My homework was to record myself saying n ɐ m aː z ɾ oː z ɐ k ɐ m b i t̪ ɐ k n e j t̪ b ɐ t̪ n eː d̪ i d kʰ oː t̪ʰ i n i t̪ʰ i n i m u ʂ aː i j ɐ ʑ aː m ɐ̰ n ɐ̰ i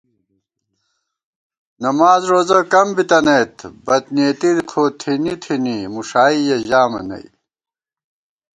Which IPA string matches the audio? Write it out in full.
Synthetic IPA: n ɐ m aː z ɾ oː z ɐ k ɐ m b i t̪ ɐ n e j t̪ b ɐ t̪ n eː t̪ i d kʰ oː t̪ʰ i n i t̪ʰ i n i m u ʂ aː i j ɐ ʑ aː m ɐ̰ n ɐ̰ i